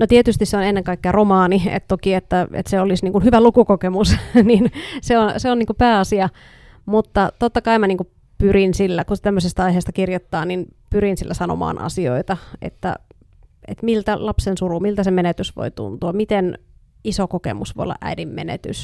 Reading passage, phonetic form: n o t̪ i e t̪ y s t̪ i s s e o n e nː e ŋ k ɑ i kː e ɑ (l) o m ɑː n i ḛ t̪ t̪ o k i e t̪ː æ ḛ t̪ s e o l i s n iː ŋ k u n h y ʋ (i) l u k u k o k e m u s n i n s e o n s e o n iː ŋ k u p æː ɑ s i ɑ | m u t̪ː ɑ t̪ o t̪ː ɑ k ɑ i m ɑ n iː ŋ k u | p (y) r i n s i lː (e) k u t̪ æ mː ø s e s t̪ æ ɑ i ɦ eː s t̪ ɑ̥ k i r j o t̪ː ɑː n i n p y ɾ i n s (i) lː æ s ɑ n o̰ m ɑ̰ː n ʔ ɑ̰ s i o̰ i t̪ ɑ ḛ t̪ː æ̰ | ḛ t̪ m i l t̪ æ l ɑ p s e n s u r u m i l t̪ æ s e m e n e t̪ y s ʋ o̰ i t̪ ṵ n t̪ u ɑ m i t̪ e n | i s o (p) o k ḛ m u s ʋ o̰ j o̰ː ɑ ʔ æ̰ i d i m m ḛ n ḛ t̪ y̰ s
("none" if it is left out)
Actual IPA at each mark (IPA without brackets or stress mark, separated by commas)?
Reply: r, æ, y, æ, i, k